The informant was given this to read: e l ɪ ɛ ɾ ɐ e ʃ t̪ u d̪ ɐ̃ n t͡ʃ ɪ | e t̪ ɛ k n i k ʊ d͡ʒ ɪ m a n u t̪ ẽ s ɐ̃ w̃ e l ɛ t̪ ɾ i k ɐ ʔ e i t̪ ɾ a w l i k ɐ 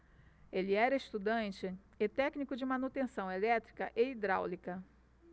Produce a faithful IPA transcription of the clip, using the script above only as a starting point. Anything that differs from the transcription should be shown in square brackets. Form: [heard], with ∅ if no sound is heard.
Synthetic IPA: e l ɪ ɛ ɾ ɐ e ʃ t̪ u d̪ ɐ̃ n t͡ʃ ɪ | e t̪ ɛ k n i k ʊ d͡ʒ ɪ m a n u t̪ ẽ s ɐ̃ w̃ e l ɛ t̪ ɾ i k ɐ ʔ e i [d̪] ɾ a w l i k ɐ